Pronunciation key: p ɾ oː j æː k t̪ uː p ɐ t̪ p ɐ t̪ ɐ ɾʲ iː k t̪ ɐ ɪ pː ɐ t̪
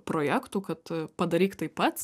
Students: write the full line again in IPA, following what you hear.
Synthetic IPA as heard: p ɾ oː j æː k t̪ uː k ɐ t̪ p ɐ d̪ ɐ ɾʲ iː k t̪ ɐ ɪ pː ɐ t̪